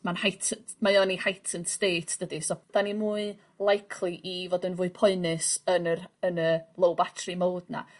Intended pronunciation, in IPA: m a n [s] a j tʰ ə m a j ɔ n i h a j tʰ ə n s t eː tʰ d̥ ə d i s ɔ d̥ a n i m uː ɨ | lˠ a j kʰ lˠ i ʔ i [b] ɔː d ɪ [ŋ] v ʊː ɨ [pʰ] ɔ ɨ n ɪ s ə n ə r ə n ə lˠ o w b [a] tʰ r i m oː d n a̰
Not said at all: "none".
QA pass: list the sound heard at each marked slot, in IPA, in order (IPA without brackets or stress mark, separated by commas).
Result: h, v, n, pʰ, a